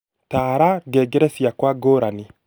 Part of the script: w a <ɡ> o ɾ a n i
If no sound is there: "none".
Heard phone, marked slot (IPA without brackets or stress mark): ɡ